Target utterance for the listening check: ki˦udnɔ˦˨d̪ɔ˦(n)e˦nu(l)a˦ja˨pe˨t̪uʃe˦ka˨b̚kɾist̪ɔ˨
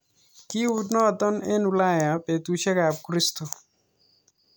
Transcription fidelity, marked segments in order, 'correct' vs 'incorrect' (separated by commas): correct, correct